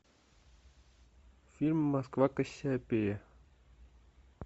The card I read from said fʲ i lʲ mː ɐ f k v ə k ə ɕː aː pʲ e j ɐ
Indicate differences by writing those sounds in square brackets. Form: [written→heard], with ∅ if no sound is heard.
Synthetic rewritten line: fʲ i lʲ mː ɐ [f→s] k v [ə→a] k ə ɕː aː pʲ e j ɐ